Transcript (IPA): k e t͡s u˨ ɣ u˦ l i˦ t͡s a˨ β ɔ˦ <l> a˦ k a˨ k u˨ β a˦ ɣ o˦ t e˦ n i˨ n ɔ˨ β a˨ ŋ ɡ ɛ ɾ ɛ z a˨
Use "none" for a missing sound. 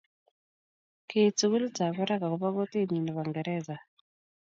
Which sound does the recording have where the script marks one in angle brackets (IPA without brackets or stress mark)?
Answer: ɾ